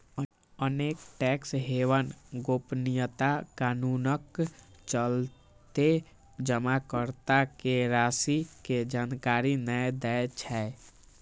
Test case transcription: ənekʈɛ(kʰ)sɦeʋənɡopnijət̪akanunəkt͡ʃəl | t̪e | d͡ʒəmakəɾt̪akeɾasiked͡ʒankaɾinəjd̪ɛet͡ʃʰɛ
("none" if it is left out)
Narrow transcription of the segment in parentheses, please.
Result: k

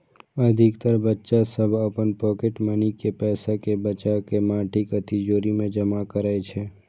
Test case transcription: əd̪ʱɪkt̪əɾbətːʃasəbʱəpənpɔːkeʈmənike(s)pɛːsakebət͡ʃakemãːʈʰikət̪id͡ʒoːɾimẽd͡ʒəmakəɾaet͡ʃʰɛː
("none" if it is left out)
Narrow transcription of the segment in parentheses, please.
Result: none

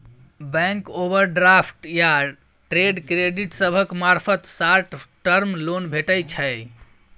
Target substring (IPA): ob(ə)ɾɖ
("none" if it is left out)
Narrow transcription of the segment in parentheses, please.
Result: ə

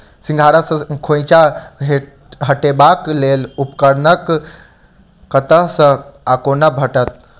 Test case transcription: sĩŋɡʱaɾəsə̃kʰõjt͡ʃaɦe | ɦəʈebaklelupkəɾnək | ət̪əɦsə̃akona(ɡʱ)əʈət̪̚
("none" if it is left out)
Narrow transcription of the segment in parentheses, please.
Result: bʱ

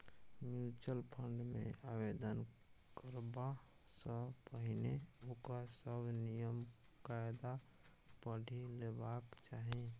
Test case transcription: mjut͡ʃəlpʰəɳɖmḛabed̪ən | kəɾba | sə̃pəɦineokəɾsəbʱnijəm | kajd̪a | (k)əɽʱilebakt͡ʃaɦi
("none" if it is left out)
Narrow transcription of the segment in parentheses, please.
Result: p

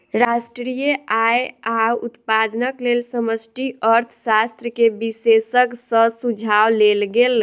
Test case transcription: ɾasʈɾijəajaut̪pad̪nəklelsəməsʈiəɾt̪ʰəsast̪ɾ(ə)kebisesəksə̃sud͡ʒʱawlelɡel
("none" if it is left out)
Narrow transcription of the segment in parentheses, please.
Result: ə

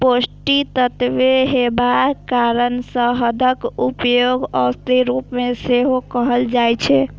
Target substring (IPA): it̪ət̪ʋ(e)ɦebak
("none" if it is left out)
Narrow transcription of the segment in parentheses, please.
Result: e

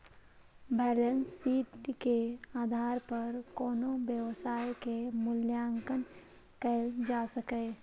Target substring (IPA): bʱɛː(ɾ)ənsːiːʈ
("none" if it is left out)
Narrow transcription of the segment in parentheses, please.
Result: l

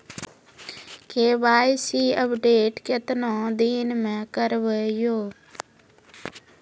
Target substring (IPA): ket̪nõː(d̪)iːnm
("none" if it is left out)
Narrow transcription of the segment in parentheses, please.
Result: d̪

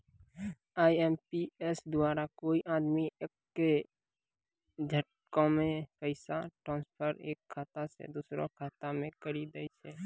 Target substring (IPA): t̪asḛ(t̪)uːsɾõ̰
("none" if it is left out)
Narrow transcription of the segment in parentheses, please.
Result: d̪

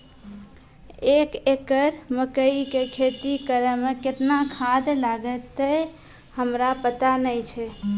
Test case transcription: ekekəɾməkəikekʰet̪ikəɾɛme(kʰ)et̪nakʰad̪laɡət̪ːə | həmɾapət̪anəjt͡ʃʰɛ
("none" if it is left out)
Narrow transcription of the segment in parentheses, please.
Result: k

